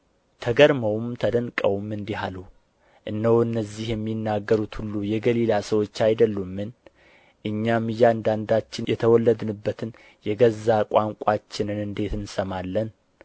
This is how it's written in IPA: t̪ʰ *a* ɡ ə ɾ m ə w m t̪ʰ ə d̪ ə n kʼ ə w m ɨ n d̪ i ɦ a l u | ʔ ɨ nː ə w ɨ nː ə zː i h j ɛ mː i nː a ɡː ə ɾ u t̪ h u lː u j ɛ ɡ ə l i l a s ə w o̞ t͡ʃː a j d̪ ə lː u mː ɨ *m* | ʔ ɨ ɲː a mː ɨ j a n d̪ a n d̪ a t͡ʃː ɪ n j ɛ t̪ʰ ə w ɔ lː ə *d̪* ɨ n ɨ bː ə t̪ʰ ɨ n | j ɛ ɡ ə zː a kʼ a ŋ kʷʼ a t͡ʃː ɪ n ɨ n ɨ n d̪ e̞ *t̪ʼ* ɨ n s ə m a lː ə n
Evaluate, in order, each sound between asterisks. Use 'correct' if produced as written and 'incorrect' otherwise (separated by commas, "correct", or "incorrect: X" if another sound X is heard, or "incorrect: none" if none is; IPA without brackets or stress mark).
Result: incorrect: ə, incorrect: n, correct, incorrect: t̪